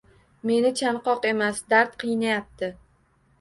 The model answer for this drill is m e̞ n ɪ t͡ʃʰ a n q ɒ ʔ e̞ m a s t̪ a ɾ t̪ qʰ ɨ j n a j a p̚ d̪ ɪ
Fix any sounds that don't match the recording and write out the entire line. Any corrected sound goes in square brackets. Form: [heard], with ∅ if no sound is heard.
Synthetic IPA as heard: m e̞ n ɪ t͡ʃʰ a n q ɒ [q] e̞ m a s [d̪] a ɾ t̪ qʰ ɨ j n a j a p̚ [t̪] ɪ